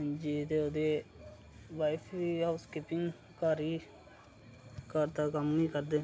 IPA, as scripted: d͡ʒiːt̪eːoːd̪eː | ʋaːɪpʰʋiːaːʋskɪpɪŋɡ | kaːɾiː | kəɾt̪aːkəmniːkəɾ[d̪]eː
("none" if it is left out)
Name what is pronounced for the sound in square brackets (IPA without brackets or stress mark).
d̪